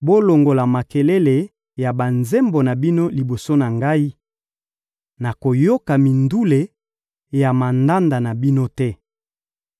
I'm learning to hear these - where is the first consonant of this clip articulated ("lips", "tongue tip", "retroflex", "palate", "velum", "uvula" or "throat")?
lips